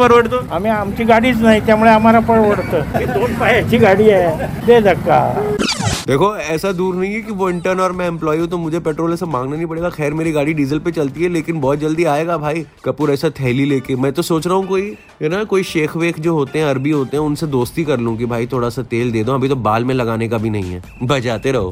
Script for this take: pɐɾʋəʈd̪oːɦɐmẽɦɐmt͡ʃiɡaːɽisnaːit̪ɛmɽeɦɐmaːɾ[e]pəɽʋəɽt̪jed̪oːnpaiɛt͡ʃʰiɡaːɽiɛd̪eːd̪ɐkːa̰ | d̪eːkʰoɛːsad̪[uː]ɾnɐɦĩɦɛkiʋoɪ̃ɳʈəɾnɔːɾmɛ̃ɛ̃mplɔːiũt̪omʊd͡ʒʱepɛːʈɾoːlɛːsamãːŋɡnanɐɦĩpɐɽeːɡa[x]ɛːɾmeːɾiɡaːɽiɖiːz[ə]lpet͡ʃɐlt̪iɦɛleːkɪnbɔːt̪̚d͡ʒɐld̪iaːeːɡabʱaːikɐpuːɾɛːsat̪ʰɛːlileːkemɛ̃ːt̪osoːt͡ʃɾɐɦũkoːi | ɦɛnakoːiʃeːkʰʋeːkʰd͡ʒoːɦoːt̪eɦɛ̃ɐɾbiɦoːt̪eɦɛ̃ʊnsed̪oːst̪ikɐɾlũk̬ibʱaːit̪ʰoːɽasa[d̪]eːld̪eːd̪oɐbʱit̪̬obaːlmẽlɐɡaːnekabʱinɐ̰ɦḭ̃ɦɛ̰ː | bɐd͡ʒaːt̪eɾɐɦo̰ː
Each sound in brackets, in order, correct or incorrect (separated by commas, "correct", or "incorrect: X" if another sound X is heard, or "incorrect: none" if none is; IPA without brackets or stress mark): incorrect: a, correct, correct, correct, incorrect: t̪